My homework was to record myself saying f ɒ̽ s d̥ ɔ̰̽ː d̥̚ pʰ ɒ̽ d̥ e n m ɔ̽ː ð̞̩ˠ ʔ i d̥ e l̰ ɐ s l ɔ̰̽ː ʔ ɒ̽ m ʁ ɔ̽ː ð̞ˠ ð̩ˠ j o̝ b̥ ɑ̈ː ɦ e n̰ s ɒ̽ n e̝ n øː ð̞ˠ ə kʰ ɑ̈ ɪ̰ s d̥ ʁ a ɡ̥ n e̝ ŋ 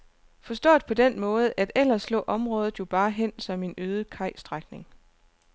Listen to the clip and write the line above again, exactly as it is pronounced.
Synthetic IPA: f ɒ̽ s d̥ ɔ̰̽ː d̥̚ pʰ ɒ̽ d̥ e n m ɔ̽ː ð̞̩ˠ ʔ æ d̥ e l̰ ɐ s l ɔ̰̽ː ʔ ɒ̽ m ʁ ɔ̽ː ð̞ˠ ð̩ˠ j o̝ b̥ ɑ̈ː ɦ e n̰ s ɒ̽ m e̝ n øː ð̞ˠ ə kʰ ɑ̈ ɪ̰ s d̥ ʁ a ɡ̥ n e̝ ŋ